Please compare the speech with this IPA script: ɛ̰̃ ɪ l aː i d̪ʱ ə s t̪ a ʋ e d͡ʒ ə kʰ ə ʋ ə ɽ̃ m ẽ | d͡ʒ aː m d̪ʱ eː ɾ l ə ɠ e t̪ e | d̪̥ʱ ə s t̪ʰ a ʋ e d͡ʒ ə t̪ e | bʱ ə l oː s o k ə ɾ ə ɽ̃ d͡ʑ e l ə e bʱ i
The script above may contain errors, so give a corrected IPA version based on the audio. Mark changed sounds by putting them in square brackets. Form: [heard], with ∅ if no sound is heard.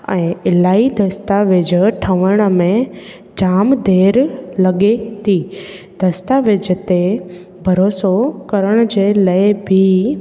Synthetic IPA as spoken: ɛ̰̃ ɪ l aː i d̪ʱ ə s t̪ a ʋ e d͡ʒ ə [ʈʰ] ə ʋ ə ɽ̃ m ẽ | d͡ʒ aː m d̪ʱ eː ɾ l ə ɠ e t̪ [i] | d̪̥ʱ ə s [t̪] a ʋ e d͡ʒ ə t̪ e | bʱ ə [ɾ] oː s o k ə ɾ ə ɽ̃ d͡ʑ e l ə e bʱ i